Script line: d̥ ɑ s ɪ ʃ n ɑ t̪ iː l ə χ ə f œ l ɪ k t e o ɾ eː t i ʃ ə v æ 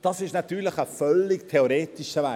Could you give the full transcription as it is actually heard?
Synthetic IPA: d̥ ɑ s ɪ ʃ n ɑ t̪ yː l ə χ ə f œ l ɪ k tʰ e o ɾ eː t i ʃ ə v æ

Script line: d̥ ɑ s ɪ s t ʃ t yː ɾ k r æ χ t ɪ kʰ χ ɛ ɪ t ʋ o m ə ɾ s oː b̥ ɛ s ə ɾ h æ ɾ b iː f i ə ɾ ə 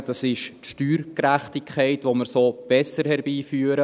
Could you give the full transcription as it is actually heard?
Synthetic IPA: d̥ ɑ s ɪ ʃ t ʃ t yː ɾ k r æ χ t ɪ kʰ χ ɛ ɪ t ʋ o m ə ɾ s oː b̥ ɛ s ə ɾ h ɛ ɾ b iː f y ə ɾ ə

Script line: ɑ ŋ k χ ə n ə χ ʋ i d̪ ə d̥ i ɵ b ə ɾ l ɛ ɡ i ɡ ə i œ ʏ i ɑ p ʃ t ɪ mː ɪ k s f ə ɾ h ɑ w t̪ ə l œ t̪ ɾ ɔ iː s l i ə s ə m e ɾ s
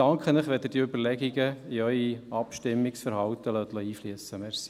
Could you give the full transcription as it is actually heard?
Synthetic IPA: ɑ ŋ k χ ə n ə χ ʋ ɛ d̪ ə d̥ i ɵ b ə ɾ l ɛ ɡ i ɡ ə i œ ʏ i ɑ p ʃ t ɪ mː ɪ k s f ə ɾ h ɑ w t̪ ə l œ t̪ l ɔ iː f l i ə s ə m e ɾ s

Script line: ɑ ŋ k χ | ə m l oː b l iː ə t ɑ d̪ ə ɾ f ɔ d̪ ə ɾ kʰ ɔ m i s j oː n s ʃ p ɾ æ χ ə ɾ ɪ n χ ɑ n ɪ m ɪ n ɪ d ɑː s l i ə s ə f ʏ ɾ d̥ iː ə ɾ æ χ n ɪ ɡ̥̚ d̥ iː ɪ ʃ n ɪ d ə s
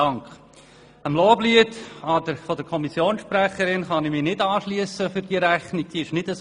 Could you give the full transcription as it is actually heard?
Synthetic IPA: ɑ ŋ k χ | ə m l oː b l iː ə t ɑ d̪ ə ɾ f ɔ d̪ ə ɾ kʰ ɔ m i s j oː n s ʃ p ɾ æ χ ə ɾ ɪ n χ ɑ n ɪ m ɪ n ɪ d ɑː ʃ l i ə s ə f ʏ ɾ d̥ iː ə ɾ æ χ n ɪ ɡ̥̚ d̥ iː ɪ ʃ n ɪ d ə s

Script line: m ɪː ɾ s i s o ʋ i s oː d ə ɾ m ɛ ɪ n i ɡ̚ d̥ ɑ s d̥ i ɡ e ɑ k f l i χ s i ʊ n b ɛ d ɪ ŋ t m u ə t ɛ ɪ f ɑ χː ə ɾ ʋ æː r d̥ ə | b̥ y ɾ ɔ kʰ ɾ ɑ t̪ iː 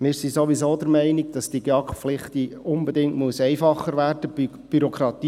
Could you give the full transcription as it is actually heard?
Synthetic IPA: m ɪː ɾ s i s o ʋ i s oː d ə ɾ m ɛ ɪ n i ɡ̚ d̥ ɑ s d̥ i ɡ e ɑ k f l ɪ χ t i ʊ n b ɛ d ɪ ŋ t m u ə s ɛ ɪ f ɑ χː ə ɾ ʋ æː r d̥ ə | b̥ y ɾ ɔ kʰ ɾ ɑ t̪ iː

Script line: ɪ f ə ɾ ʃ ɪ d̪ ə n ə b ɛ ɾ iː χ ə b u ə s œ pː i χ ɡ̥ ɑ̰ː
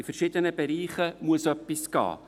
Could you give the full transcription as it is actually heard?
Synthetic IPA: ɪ f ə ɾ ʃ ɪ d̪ ə n ə b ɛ ɾ iː χ ə m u ə s œ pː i s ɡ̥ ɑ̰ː

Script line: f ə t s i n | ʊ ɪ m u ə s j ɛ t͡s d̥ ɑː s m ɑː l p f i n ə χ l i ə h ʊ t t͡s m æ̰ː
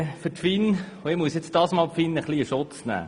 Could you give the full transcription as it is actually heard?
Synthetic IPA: f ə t f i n | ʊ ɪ m u ə s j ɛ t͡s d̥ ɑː s m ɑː l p f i n ə χ l i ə ʃ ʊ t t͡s n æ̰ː

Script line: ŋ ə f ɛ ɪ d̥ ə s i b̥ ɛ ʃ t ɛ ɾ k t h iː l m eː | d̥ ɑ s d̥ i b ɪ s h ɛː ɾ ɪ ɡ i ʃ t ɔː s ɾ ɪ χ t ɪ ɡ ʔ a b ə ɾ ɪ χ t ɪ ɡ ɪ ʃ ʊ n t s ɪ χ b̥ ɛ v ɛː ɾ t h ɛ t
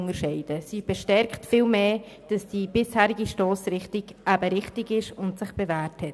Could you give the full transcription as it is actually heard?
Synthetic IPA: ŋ ə ʃ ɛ ɪ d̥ ə s i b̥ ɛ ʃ t ɛ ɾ k t f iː l m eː | d̥ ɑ s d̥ i b ɪ s h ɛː ɾ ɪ ɡ i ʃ t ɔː s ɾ ɪ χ t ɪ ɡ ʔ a b ə ɾ ɪ χ t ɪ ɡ ɪ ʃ ʊ n t s ɪ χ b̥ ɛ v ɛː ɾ t h ɛ t

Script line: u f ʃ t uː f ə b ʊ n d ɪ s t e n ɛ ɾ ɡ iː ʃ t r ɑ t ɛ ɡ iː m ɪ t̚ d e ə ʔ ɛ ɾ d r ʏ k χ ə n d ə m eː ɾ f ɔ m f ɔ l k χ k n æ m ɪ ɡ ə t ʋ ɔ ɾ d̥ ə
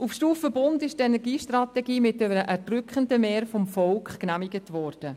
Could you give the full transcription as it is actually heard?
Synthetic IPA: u f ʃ t uː f ə b ʊ n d ɪ ʃ t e n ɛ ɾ ɡ iː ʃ t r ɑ t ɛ ɡ iː m ɪ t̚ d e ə ʔ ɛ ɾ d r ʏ k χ ə n d ə m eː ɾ f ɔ m f ɔ l k χ k n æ m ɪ ɡ ə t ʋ ɔ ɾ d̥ ə

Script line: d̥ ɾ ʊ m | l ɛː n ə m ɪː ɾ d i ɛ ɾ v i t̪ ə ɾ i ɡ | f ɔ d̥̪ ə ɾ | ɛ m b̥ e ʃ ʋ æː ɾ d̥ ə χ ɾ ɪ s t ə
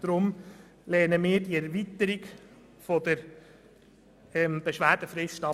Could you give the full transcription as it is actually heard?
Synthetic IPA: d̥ ɾ ʊ m | l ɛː n ə m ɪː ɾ d i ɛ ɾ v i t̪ ə ɾ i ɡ | f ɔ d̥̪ ə ɾ | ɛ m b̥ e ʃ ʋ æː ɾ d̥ ə f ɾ ɪ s t ɑ

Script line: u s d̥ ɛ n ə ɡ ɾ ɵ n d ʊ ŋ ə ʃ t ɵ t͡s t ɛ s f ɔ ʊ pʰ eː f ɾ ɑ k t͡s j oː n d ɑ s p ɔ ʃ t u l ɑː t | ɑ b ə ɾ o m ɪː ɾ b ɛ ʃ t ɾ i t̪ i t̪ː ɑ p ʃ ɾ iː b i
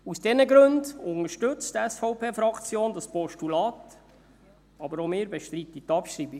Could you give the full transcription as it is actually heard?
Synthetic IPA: u s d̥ ɛ n ə ɡ ɾ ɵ n d ʊ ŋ ə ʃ t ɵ t͡s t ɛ s f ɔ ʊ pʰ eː f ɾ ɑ k t͡s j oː n d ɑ s p ɔ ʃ t u l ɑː t | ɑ b ə ɾ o m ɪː ɾ b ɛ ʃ t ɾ i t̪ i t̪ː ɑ p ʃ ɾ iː b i

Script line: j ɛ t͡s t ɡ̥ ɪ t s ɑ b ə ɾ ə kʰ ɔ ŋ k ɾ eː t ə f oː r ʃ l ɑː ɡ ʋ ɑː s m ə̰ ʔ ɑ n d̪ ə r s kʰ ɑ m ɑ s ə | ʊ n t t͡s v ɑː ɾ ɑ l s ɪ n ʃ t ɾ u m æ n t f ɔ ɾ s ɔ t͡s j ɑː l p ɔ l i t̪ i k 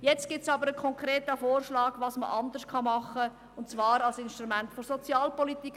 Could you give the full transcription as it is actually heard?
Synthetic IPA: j ɛ t͡s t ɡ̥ ɪ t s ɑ b ə ɾ ə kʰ ɔ ŋ k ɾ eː t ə f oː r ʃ l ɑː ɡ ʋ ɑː s m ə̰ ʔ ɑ n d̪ ə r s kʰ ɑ m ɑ χ ə | ʊ n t t͡s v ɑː ɾ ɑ l s ɪ n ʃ t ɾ u m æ n t f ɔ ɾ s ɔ t͡s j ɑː l p ɔ l i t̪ i k

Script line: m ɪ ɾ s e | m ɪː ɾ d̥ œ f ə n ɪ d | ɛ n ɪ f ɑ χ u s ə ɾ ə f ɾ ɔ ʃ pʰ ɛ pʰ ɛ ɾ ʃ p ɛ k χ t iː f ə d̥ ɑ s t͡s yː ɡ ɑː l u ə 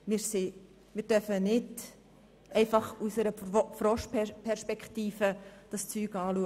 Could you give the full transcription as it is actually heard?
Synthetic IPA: m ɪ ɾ s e | m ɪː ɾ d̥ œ f ə n ɪ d | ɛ ɪ f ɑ χ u s ə ɾ ə f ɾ ɔ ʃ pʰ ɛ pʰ ɛ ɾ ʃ p ɛ k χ t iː f ə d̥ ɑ s t͡s yː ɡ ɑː l u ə

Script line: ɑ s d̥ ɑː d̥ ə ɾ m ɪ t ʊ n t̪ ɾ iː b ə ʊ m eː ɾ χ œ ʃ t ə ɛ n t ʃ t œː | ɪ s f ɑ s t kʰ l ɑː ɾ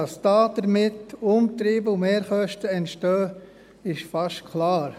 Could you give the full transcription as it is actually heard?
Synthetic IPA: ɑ s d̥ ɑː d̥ ə ɾ m ɪ t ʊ m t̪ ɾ iː b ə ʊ m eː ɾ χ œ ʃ t ə ɛ n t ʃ t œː | ɪ ʃ f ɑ ʃ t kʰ l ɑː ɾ

